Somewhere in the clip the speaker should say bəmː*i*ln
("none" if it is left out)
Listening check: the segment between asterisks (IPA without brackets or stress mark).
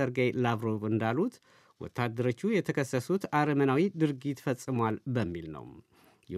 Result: i